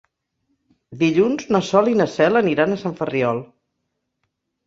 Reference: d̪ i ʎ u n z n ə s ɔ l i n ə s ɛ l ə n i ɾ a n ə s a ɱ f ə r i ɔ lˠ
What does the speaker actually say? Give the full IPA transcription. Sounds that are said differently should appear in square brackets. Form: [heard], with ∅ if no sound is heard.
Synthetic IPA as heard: d̪ i ʎ u n z n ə s ɔ l i n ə s ɛ l ə n i ɾ a n ə s a ɱ f ə r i ɔ lˠ